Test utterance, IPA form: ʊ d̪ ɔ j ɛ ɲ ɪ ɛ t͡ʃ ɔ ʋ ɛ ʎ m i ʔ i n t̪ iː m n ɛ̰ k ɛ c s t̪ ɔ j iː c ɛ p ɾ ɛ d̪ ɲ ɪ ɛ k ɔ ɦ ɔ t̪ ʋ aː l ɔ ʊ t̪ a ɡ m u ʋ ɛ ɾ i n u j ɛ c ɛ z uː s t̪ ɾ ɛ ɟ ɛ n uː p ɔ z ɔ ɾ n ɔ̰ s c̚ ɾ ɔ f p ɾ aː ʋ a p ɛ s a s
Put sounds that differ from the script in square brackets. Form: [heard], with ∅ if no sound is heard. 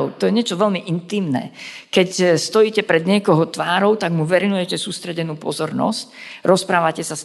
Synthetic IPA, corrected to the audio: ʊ [t̪] ɔ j ɛ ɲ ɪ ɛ t͡ʃ ɔ ʋ ɛ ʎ m i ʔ i n t̪ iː m n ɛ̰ k ɛ c s t̪ ɔ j iː c ɛ p ɾ ɛ d̪ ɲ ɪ ɛ k ɔ ɦ ɔ t̪ ʋ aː [ɾ] ɔ ʊ t̪ a ɡ m u ʋ ɛ ɾ i n u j ɛ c ɛ [s] uː s t̪ ɾ ɛ ɟ ɛ n uː p ɔ z ɔ ɾ n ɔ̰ s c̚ ɾ ɔ [s] p ɾ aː ʋ a [c] ɛ s a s